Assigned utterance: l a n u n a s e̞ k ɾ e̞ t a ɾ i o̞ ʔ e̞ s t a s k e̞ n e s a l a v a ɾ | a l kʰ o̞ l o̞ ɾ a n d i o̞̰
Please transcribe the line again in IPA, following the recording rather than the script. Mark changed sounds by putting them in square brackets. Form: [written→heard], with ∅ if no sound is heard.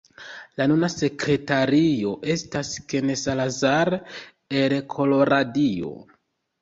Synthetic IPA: l a n u n a s e̞ k ɾ e̞ t a ɾ i o̞ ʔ e̞ s t a s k e̞ n e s a l a [v→z] a ɾ | [a→e] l kʰ o̞ l o̞ ɾ a [n→∅] d i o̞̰